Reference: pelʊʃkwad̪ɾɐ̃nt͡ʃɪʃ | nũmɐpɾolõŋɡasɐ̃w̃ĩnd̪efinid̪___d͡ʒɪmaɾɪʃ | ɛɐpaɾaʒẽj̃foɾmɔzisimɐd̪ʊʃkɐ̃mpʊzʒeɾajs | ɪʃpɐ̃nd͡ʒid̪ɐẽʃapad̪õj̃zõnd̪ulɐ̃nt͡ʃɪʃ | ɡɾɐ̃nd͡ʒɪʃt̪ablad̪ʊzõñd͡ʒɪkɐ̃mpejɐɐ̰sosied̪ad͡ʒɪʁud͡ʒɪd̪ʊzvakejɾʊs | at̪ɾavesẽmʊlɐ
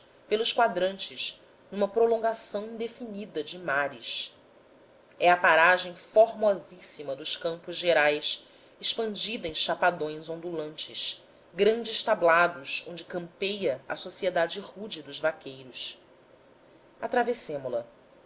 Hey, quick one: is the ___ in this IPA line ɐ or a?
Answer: ɐ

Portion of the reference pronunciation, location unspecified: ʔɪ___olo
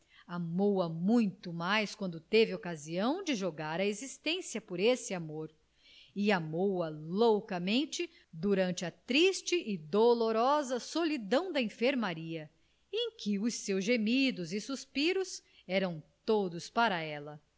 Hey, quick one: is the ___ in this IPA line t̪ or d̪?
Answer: d̪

